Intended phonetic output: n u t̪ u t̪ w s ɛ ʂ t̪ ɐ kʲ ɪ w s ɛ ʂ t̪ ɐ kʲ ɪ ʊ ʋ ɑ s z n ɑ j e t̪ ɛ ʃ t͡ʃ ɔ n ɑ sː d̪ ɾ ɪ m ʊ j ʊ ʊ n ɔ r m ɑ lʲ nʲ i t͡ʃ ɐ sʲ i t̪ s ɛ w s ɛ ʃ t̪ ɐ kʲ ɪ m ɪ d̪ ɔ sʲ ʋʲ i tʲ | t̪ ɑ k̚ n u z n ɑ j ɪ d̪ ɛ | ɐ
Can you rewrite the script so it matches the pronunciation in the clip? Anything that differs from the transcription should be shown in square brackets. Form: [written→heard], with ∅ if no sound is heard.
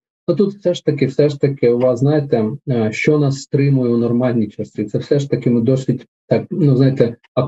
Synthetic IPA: n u t̪ u t̪ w s ɛ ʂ t̪ ɐ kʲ ɪ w s ɛ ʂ t̪ ɐ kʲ ɪ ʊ ʋ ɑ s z n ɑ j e t̪ ɛ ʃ t͡ʃ ɔ n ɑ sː [d̪→t̪] ɾ ɪ m ʊ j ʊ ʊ n ɔ r m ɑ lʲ nʲ i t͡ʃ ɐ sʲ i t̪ s ɛ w s ɛ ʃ t̪ ɐ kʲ ɪ m ɪ d̪ ɔ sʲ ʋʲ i tʲ | t̪ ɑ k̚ n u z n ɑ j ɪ [d̪→t̪] ɛ | ɐ